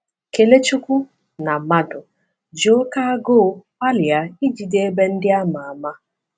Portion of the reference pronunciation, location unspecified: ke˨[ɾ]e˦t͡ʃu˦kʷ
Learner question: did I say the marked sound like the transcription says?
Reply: no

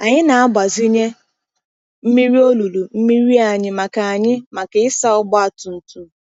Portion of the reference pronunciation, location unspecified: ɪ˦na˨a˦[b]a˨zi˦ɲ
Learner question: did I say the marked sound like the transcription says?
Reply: yes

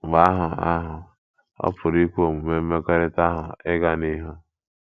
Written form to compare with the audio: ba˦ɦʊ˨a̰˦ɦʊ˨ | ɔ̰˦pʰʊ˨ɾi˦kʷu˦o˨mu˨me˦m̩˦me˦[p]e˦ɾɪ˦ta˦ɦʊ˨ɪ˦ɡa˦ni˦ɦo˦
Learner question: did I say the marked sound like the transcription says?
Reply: no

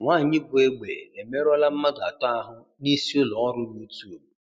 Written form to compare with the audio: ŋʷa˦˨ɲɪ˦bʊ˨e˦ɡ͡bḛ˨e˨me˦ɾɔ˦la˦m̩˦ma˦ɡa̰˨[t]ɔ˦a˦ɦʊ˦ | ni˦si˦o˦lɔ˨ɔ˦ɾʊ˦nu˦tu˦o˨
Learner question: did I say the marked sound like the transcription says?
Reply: yes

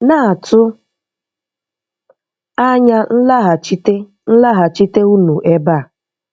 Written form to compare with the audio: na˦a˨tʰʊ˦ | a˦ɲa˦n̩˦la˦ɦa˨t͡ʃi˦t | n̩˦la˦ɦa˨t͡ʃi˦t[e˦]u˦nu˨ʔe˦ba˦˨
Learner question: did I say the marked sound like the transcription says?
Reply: yes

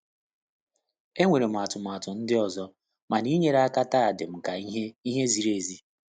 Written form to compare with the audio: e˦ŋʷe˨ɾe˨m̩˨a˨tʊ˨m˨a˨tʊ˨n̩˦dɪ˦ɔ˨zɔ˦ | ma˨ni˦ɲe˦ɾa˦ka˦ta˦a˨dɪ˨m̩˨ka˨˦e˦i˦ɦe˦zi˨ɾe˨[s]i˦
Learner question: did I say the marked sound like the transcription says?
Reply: no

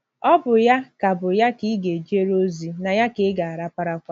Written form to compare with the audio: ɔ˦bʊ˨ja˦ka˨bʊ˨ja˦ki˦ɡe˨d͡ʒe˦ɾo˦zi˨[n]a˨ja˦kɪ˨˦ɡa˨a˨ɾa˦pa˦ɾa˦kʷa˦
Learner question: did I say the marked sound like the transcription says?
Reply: yes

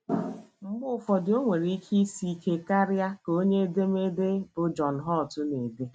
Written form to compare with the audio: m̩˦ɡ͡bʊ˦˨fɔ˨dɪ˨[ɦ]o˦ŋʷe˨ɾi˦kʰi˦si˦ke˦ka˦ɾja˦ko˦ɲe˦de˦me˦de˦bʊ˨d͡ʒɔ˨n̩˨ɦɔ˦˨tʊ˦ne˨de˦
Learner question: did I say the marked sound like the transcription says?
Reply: no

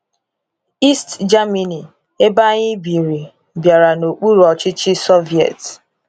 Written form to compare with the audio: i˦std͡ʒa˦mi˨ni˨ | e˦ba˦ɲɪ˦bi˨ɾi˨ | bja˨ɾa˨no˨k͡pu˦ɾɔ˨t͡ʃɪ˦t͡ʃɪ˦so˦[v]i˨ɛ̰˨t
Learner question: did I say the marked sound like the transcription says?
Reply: yes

